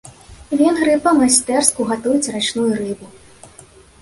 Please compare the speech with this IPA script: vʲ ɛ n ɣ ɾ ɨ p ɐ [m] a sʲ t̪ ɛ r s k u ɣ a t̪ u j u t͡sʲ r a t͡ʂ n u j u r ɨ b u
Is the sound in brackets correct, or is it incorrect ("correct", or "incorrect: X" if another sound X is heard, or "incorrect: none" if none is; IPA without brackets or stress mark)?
correct